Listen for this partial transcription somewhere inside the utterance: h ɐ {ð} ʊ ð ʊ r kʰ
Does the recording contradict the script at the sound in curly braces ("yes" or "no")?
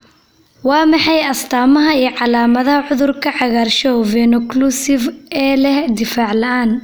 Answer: yes